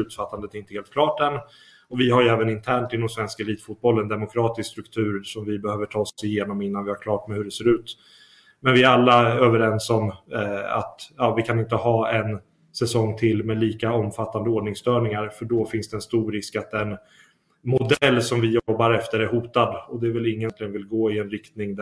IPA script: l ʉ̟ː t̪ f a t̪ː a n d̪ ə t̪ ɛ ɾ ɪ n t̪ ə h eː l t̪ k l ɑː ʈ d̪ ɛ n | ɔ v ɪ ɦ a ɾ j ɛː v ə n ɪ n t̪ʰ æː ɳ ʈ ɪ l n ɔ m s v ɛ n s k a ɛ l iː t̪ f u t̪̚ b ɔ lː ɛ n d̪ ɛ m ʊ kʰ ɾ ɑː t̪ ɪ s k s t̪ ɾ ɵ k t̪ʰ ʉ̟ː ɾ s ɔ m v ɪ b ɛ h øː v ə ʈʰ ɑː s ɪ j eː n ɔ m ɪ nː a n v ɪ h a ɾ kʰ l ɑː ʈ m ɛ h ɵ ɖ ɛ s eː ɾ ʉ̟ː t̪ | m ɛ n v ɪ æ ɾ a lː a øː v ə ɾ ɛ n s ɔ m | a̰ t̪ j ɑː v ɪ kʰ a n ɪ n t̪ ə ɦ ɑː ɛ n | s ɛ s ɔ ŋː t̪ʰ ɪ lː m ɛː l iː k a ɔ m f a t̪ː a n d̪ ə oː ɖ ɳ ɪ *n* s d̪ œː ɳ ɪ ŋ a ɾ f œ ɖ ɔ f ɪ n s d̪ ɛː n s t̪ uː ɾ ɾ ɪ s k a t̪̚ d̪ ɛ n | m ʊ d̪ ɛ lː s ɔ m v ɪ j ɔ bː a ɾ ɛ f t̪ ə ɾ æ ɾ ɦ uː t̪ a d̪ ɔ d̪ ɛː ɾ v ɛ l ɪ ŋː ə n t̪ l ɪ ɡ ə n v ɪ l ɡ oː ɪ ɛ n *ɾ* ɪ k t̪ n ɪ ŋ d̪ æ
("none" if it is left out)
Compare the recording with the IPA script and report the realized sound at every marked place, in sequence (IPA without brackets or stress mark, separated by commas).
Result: ŋ, ɾ